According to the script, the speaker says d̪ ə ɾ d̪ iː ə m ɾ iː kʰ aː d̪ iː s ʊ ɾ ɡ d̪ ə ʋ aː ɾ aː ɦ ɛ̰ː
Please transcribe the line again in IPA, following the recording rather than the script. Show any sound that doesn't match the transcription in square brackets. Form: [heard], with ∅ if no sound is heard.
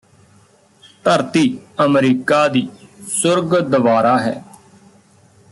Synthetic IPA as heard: [t̪] ə ɾ [t̪] iː ə m ɾ iː [k] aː d̪ iː s ʊ ɾ ɡ d̪ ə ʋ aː ɾ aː ɦ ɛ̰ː